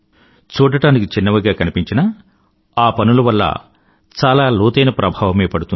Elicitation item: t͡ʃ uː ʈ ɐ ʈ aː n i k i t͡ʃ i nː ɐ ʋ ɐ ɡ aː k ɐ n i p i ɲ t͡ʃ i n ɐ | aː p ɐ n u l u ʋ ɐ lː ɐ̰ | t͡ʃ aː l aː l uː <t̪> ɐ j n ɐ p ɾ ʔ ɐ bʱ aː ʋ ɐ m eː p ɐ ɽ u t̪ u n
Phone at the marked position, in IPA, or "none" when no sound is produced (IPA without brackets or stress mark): t̪